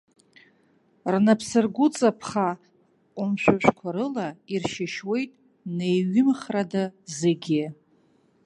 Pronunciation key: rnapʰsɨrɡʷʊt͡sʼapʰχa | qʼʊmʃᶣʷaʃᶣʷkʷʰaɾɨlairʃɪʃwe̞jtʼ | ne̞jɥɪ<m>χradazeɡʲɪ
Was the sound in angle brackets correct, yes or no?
yes